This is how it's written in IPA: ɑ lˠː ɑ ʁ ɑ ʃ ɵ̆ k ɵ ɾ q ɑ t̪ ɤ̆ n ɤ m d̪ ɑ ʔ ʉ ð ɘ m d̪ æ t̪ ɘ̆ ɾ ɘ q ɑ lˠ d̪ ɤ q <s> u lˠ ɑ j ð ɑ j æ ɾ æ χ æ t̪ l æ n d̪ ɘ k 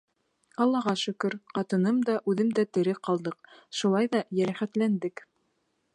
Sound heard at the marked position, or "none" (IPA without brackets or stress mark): ʃ